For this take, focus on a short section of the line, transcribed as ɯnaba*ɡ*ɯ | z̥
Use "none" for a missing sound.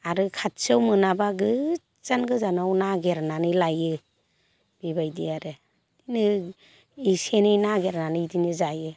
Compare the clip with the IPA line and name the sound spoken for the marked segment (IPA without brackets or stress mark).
ɡ